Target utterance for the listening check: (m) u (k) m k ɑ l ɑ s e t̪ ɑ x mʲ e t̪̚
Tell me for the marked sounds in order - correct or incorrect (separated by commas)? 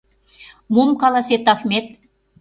correct, incorrect